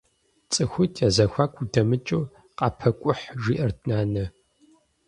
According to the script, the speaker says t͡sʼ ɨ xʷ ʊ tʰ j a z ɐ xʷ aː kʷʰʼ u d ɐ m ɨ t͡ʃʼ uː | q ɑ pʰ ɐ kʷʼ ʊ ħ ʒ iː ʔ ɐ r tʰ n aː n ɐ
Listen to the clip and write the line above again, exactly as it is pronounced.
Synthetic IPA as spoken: t͡sʼ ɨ xʷ ʊ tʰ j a z ɐ xʷ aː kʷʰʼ u d ɐ m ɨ t͡ʃʼ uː | q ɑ pʰ ɐ kʷʼ ʊ ħ ʒ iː ʔ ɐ r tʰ n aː n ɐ